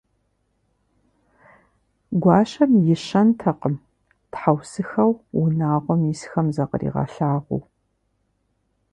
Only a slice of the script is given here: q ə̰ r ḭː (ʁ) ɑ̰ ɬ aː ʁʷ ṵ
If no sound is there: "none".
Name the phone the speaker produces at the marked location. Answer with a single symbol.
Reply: ʁ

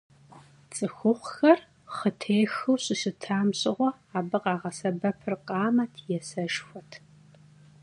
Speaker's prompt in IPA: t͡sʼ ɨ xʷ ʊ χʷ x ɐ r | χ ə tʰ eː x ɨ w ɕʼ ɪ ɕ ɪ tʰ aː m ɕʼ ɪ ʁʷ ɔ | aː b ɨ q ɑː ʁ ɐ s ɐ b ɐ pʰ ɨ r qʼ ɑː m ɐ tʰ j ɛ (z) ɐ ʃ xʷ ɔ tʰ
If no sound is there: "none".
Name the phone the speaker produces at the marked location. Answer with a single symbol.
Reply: s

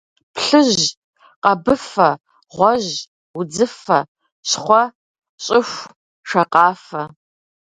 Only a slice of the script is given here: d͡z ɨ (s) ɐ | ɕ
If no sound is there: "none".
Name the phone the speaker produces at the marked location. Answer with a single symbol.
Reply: f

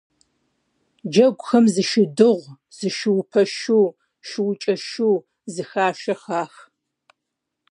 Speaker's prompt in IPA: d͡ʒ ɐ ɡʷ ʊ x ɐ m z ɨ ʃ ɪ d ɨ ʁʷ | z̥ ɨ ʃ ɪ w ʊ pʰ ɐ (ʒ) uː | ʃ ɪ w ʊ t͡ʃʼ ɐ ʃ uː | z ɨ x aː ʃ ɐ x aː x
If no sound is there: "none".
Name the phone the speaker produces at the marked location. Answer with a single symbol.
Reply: ʃ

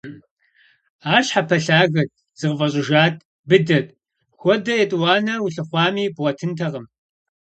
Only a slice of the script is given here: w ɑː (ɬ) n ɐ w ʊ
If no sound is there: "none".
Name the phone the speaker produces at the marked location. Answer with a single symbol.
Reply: none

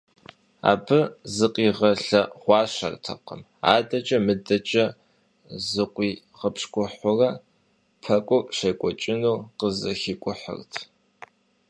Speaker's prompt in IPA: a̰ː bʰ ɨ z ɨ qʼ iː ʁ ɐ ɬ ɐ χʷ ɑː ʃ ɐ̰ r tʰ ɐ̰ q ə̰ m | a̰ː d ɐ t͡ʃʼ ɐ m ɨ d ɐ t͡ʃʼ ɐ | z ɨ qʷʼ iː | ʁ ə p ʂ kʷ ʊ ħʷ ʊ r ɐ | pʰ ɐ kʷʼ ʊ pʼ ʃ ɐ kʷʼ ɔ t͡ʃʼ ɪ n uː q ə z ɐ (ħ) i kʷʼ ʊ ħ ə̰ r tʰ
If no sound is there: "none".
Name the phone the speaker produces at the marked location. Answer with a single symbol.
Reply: x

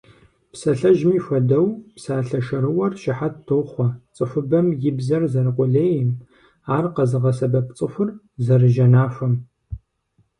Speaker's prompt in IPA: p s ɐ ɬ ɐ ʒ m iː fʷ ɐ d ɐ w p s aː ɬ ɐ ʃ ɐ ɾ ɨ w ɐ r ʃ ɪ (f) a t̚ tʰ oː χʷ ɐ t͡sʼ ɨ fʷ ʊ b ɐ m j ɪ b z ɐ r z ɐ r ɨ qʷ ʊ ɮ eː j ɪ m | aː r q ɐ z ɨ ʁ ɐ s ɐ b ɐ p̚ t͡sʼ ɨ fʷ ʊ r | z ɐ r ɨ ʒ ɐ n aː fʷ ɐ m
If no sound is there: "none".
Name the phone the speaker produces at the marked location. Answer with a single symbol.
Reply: ħ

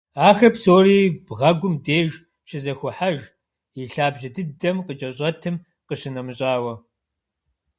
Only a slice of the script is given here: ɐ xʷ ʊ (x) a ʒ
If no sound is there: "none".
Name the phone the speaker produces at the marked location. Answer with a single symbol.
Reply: ħ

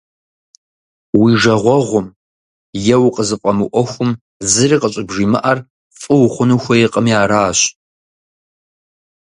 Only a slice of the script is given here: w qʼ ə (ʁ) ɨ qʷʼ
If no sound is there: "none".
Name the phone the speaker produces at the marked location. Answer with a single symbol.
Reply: z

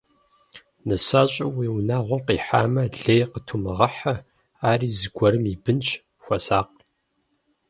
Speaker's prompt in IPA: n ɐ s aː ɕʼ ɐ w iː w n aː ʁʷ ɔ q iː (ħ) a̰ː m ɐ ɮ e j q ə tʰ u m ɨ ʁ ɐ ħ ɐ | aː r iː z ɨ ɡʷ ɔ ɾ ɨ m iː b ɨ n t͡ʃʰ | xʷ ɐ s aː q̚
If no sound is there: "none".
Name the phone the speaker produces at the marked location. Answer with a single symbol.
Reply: ħ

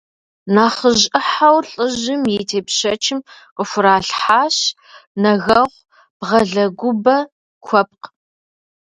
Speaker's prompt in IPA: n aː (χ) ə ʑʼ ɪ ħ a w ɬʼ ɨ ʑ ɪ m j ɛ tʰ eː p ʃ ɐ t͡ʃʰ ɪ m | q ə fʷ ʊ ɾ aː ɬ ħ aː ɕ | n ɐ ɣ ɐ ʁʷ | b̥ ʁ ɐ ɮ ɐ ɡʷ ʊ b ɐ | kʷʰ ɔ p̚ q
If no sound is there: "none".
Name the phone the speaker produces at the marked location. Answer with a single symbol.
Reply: χ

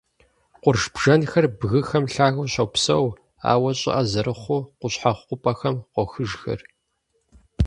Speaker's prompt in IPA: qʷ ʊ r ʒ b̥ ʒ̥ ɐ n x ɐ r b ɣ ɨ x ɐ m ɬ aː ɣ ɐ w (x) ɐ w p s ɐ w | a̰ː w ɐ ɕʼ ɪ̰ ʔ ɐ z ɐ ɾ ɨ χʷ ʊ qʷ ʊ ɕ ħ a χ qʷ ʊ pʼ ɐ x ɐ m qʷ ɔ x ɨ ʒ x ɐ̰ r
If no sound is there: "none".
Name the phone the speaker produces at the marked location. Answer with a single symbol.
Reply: ɕ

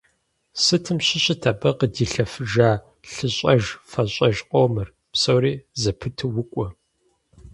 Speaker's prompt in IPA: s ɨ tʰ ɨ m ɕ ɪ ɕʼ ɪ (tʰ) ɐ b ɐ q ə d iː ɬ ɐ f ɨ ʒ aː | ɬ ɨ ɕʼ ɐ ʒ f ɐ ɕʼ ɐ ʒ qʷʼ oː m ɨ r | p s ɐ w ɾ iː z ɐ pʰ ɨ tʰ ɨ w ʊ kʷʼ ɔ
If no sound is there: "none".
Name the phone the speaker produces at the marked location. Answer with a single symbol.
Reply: tʰ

